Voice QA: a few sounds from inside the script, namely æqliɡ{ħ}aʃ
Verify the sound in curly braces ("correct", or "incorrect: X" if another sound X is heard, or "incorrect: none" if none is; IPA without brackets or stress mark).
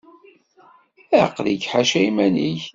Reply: correct